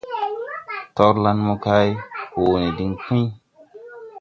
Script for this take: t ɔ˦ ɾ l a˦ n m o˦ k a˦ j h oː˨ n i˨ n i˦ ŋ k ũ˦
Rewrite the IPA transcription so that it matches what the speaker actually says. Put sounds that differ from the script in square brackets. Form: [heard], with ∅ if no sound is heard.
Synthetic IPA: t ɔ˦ ɾ l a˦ n m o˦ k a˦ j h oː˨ n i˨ [d] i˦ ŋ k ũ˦

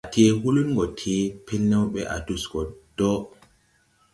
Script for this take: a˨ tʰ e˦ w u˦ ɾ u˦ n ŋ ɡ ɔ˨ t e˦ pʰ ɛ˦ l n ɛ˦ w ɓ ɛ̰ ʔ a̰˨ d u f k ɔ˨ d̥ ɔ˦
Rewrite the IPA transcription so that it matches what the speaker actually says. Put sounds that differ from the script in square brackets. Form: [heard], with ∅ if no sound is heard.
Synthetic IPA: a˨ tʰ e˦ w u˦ [l] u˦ n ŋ ɡ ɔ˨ [tʰ] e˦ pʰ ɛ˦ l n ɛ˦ w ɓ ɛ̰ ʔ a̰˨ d u [s] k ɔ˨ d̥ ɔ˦

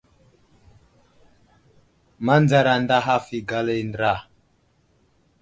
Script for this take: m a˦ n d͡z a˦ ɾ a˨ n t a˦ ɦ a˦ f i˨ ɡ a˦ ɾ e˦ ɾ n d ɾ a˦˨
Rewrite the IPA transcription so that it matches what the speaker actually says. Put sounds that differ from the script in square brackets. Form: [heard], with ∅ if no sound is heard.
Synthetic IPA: m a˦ n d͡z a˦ ɾ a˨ n [d] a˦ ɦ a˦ f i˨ ɡ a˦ [l] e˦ [∅] n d ɾ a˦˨

